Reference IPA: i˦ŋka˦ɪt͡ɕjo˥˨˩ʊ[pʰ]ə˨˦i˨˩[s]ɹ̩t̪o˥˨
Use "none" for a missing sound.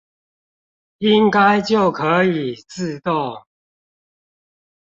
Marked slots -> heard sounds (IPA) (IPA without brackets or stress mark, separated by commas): kʰ, t͡s